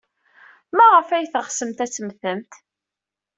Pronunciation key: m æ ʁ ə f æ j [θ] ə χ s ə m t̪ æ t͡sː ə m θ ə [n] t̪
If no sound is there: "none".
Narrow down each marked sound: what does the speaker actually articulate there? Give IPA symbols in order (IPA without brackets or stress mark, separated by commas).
θ, m